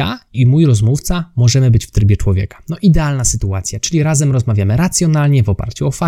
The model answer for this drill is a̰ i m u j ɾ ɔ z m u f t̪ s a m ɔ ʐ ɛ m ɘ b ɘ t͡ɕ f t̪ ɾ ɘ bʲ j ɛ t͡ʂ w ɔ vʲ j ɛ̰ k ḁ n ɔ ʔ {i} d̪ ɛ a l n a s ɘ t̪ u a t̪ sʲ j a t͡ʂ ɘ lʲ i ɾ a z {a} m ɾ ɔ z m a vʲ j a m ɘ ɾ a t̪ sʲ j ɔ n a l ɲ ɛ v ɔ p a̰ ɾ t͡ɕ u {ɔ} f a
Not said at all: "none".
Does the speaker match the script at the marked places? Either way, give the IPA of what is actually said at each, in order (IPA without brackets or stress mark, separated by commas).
i, ɛ, ɔ